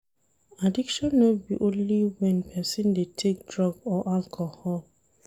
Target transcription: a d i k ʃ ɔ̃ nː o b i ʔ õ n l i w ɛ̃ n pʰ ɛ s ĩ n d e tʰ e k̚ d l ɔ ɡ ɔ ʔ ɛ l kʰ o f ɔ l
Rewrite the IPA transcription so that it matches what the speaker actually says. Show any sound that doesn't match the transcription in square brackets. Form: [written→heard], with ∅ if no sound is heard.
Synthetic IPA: a d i k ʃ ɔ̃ nː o b i ʔ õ n l i w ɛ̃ n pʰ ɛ s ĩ n d e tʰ e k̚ d [l→ɹ] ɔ ɡ ɔ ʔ [ɛ→a] l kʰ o [f→h] ɔ l